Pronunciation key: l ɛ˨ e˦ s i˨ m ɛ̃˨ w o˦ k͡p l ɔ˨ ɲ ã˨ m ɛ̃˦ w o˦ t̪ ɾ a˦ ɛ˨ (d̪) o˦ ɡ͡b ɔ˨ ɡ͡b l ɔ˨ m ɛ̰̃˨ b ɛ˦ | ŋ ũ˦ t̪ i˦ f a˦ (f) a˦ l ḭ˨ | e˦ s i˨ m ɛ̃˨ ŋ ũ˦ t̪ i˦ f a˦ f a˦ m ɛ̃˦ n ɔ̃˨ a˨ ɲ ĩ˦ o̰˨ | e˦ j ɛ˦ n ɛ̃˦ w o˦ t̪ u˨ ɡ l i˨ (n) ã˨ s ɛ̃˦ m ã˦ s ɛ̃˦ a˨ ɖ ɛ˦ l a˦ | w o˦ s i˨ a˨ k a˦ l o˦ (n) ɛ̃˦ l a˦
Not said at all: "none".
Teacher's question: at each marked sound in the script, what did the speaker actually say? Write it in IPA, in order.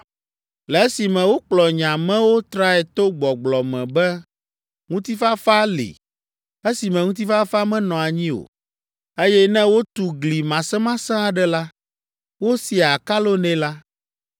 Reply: t̪, f, m, n

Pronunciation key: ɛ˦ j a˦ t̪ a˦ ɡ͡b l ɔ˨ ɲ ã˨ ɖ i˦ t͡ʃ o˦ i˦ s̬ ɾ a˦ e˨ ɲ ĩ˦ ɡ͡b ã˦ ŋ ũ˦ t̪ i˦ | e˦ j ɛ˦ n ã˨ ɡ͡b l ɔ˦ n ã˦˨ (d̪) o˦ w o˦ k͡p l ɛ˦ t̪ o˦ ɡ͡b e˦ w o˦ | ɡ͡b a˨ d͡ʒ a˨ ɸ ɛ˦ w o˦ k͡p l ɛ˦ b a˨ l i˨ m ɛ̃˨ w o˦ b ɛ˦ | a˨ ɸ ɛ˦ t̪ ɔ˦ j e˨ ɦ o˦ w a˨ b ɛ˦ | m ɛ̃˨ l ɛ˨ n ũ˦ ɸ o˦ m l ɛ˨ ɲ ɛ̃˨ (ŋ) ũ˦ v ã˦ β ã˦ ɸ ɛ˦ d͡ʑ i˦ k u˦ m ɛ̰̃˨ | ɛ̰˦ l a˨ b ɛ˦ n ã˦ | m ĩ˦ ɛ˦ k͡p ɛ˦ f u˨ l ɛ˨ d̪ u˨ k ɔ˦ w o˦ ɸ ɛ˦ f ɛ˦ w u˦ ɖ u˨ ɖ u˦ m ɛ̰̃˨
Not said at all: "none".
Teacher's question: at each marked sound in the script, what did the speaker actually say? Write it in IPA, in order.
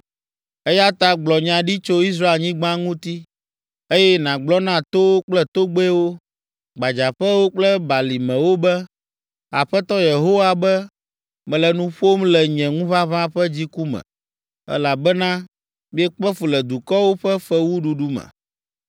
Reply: t̪, ŋ

